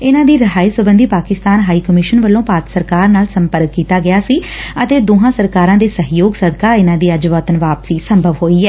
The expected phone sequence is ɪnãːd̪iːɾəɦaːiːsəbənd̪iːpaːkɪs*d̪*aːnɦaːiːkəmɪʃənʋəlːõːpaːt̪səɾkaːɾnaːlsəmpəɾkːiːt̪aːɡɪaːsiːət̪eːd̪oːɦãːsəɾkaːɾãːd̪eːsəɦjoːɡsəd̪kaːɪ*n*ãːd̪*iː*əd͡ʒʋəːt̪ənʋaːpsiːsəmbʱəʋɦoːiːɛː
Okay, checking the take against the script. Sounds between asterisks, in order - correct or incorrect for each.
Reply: incorrect: t̪, correct, correct

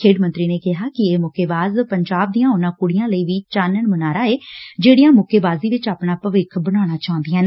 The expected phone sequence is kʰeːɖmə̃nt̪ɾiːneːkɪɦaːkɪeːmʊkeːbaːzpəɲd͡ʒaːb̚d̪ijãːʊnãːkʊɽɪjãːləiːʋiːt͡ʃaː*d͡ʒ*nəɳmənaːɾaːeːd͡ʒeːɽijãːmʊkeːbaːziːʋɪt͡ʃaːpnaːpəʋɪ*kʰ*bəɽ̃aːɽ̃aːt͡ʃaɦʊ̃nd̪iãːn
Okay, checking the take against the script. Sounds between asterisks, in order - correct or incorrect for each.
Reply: incorrect: none, correct

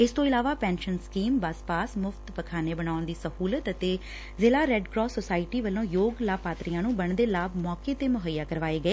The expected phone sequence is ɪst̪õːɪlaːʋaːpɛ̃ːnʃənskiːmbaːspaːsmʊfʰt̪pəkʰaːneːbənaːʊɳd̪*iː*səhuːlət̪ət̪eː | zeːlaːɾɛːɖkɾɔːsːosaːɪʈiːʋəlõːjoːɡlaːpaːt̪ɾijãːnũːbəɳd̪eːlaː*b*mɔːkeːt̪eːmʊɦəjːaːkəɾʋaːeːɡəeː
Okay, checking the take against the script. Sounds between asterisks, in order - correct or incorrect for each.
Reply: correct, correct

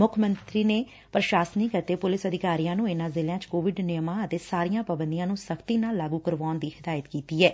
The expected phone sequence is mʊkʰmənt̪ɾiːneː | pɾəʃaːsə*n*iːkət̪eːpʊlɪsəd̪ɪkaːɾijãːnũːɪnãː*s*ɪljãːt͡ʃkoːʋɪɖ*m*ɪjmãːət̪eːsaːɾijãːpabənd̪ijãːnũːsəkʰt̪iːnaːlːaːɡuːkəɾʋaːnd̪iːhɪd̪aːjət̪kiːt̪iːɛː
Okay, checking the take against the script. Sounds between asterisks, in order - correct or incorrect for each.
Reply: correct, incorrect: z, incorrect: n

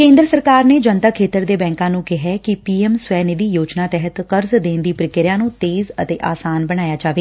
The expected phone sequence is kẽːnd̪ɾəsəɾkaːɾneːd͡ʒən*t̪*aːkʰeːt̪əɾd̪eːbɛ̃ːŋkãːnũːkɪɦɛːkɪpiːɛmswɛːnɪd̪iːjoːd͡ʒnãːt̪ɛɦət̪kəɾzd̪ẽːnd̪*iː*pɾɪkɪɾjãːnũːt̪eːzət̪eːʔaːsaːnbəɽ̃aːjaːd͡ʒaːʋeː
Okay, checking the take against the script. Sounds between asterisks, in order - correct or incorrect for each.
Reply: correct, correct

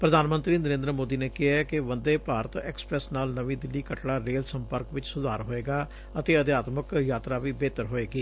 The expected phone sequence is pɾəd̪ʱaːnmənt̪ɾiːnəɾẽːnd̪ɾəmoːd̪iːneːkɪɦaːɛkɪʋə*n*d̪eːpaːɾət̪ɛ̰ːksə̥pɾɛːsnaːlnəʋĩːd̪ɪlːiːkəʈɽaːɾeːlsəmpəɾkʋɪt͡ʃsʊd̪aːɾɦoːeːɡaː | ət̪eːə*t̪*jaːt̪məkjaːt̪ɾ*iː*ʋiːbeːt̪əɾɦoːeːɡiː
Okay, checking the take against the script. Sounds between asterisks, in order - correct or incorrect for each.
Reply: correct, incorrect: d̪, incorrect: aː

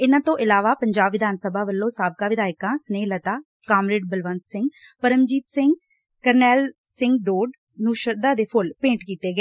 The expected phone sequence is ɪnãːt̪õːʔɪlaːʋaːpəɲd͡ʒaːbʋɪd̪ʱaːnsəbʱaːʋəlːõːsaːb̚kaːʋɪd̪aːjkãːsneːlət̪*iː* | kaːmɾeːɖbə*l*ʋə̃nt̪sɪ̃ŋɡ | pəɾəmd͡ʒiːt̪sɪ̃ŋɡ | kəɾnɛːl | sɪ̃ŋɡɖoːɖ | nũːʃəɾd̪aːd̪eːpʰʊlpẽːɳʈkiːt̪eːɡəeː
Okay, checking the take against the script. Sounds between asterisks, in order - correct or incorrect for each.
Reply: incorrect: aː, correct

